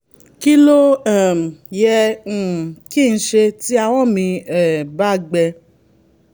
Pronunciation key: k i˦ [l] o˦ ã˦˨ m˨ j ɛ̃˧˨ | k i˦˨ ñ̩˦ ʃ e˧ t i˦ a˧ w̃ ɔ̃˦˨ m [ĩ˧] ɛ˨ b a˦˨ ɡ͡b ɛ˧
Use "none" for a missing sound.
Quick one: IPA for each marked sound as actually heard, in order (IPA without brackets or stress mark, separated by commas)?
l, ĩ˧